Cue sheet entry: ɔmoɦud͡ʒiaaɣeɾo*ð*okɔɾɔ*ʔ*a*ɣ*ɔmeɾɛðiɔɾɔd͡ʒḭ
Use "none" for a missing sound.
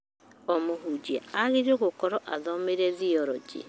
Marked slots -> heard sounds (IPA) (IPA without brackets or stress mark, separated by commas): ɣ, ʔ, ð